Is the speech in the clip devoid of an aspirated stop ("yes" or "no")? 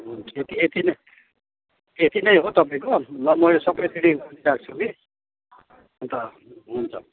no